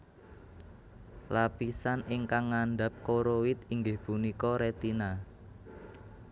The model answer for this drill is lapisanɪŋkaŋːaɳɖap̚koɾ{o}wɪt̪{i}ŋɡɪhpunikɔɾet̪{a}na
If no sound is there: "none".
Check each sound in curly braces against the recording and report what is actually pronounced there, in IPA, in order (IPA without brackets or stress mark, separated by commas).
o, i, i